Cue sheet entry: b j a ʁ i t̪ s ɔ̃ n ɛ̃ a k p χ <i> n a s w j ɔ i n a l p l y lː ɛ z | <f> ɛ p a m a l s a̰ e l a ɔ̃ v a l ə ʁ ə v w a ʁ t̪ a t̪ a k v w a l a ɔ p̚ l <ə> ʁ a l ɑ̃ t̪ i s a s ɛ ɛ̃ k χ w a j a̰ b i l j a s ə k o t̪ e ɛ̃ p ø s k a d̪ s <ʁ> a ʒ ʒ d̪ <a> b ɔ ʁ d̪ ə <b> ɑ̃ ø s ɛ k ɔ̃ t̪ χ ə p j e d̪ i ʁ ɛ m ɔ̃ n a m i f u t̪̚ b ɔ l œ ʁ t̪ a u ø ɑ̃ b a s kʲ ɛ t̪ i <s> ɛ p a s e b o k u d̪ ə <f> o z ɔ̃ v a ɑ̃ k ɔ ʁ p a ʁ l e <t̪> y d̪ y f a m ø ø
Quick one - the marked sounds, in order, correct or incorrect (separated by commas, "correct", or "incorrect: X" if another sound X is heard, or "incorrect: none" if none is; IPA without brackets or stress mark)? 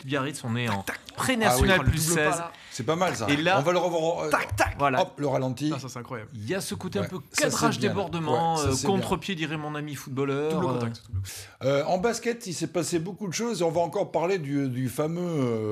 incorrect: e, incorrect: s, correct, correct, incorrect: e, incorrect: m, correct, incorrect: ʃ, incorrect: d̪